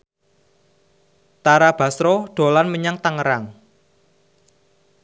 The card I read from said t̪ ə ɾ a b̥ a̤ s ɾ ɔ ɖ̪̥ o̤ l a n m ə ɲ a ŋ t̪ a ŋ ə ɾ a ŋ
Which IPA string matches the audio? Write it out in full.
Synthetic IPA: t̪ a ɾ a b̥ a̤ s ɾ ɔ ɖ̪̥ o̤ l a n m ə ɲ a ŋ t̪ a ŋ ə ɾ a ŋ